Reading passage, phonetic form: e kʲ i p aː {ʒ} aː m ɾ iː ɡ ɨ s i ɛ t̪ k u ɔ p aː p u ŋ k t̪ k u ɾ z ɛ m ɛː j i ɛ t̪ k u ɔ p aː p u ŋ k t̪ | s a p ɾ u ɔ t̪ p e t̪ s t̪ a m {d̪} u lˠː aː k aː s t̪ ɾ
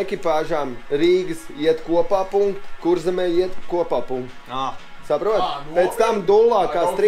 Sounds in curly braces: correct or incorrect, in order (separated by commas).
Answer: correct, correct